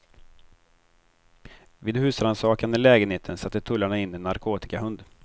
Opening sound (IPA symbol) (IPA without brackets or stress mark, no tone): v